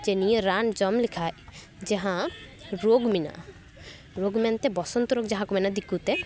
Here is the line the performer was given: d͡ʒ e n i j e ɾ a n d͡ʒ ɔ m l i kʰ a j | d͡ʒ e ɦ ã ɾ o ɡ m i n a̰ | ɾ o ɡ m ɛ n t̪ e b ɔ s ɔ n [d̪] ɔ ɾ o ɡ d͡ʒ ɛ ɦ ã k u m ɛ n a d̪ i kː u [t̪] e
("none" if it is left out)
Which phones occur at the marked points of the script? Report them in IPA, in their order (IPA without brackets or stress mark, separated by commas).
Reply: t̪, t̪